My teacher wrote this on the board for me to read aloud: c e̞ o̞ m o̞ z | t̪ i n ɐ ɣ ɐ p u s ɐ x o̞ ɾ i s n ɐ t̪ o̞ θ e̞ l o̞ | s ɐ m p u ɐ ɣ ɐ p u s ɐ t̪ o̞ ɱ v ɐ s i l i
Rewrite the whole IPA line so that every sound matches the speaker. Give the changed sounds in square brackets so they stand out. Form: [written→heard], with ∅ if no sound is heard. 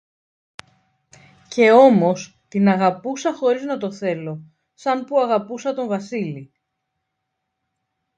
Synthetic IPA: c e̞ o̞ m o̞ [z→s] | t̪ i n ɐ ɣ ɐ p u s ɐ x o̞ ɾ i [s→z] n ɐ t̪ o̞ θ e̞ l o̞ | s ɐ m p u ɐ ɣ ɐ p u s ɐ t̪ o̞ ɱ v ɐ s i l i